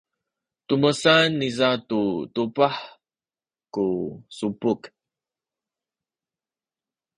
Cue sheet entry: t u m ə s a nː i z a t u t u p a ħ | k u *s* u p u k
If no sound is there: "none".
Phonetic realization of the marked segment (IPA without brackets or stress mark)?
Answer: s